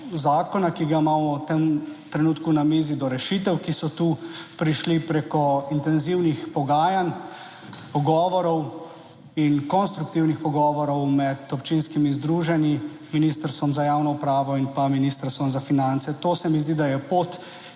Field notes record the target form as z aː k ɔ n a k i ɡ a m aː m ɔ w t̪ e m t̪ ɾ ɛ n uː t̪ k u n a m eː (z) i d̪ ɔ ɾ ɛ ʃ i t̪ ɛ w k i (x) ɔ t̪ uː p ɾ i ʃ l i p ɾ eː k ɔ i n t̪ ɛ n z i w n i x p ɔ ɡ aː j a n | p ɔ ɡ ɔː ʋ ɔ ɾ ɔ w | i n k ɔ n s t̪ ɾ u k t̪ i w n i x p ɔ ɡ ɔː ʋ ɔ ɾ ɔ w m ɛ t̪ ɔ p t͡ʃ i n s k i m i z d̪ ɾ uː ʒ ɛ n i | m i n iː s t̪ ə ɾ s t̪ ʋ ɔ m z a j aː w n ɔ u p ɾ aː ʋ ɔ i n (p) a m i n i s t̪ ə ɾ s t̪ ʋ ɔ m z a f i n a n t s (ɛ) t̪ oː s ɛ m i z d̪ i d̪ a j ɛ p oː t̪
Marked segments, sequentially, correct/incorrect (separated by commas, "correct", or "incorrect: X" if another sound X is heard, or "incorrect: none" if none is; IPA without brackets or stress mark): correct, incorrect: s, correct, correct